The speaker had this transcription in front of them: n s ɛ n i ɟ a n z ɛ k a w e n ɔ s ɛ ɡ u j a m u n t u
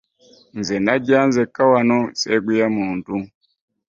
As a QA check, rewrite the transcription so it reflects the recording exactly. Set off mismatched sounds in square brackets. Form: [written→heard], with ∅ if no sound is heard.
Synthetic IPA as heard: n [s→z] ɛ n [i→a] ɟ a n z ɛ k a w [e→a] n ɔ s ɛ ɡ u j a m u n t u